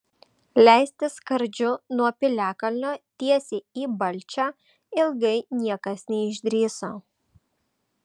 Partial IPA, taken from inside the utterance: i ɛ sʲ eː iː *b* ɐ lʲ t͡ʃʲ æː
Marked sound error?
no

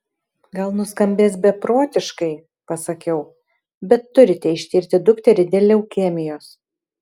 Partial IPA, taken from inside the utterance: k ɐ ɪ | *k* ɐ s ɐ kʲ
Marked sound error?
yes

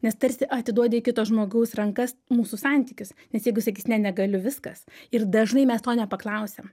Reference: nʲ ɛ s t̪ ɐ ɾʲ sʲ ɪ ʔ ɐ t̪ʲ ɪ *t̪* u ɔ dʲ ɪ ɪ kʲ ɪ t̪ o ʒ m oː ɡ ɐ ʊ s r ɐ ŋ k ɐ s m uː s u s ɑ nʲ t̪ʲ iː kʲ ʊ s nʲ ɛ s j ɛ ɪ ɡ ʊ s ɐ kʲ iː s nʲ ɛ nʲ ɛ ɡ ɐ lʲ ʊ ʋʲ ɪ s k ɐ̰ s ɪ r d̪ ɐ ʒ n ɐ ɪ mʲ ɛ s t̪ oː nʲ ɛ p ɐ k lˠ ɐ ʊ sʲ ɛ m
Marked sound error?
yes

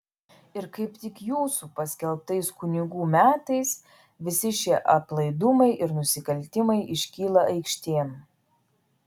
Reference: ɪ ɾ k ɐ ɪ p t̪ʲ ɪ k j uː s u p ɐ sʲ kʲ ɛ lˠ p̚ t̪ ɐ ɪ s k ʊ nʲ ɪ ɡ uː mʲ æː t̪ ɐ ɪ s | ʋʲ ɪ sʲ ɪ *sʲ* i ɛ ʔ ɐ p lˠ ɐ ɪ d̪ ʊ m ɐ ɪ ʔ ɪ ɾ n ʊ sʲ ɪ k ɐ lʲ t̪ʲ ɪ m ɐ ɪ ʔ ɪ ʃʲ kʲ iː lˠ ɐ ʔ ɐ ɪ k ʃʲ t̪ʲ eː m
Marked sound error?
yes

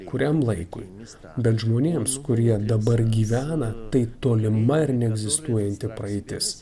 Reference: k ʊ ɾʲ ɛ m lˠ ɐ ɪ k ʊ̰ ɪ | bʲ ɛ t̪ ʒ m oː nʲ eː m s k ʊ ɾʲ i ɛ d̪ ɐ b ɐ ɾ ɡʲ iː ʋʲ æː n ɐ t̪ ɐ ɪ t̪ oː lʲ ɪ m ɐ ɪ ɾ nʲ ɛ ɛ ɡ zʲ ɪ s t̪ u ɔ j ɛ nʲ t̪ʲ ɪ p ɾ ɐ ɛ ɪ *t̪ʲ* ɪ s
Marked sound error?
no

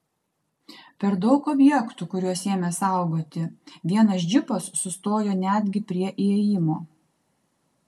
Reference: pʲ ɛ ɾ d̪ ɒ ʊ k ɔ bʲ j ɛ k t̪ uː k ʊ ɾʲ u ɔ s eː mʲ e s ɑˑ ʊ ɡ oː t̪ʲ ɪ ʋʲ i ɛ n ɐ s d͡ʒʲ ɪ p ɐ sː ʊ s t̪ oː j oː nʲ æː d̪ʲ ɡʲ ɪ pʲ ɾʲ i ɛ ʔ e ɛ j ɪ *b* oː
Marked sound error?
yes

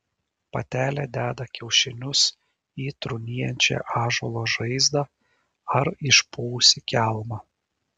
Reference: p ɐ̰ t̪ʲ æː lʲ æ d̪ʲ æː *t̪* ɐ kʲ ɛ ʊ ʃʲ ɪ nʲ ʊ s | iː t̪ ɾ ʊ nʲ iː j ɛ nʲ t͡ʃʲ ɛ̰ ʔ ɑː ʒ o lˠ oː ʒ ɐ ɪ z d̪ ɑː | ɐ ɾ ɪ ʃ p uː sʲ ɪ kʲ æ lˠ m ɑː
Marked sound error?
yes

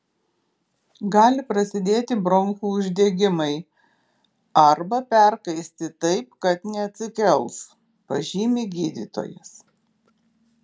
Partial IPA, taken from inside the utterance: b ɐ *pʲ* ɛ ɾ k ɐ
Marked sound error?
no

